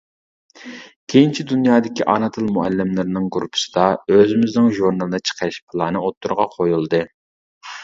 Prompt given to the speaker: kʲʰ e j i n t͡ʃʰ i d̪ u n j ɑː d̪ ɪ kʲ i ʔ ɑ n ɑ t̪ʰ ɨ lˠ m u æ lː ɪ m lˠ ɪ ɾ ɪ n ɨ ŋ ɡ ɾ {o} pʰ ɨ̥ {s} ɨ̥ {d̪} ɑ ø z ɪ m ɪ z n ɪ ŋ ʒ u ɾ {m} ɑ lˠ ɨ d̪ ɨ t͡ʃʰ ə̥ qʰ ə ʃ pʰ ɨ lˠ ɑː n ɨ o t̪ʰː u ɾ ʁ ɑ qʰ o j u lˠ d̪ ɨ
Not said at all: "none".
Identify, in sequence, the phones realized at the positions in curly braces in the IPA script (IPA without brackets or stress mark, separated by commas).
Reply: u, s, d̪, n